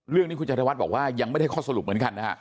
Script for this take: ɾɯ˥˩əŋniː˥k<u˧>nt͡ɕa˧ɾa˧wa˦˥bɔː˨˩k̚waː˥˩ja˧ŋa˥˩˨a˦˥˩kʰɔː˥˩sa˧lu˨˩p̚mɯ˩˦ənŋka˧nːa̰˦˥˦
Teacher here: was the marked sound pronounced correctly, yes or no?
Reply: yes